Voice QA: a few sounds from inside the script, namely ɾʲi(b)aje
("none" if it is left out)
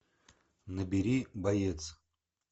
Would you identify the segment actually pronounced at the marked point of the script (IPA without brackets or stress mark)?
b